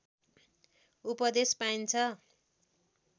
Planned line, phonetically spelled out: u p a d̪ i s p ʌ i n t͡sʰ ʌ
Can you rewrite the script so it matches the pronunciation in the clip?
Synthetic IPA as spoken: u p ʌ d̪ e s p a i n t͡sʰ ʌ